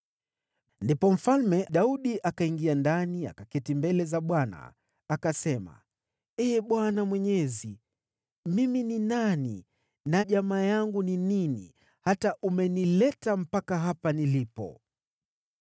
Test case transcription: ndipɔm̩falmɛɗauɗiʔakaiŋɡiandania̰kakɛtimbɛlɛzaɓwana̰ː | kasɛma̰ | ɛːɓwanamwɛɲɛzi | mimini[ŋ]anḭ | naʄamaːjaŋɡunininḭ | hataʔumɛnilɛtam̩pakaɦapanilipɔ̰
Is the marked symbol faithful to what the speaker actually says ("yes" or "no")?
no